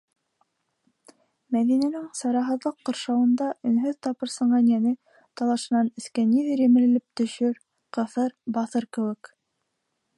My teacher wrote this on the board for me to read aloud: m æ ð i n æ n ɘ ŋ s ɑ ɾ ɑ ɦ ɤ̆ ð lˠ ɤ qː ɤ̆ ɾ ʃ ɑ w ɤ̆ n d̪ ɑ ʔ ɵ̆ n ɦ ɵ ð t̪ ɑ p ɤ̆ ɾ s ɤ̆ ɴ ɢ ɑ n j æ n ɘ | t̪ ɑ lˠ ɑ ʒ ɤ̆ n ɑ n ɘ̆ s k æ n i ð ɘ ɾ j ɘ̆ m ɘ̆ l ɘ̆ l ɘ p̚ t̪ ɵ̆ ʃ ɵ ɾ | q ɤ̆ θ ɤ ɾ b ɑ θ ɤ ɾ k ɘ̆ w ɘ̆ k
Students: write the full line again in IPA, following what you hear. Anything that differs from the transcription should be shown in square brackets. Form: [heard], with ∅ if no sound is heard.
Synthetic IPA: m æ ð i n æ n ɘ ŋ s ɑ ɾ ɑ ɦ ɤ̆ ð lˠ ɤ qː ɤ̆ ɾ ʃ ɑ w ɤ̆ n d̪ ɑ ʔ ɵ̆ n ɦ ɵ ð t̪ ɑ p ɤ̆ ɾ s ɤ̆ ɴ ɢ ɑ n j æ n ɘ | t̪ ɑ lˠ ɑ [ʃ] ɤ̆ n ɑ n ɘ̆ s k æ n i ð ɘ ɾ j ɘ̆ m ɘ̆ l ɘ̆ l ɘ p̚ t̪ ɵ̆ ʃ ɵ ɾ | q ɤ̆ θ ɤ ɾ b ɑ θ ɤ ɾ k ɘ̆ w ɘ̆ k